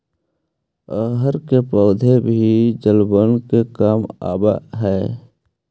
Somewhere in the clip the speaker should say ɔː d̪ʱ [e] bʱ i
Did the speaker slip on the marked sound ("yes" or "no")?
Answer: no